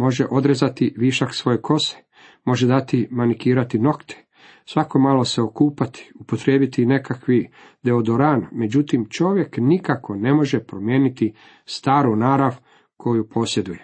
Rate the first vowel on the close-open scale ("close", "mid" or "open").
mid